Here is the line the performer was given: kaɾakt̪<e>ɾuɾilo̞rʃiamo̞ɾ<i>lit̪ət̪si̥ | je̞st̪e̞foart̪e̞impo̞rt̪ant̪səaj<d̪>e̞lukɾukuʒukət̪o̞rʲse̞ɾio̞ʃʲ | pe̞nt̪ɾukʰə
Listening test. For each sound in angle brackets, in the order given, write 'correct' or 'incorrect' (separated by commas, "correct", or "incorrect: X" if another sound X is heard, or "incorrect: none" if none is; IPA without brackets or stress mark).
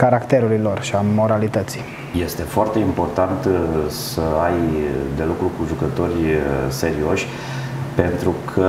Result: correct, incorrect: a, correct